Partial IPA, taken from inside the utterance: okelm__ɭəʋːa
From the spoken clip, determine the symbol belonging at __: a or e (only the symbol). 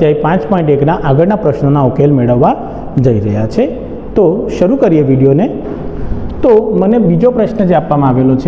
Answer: e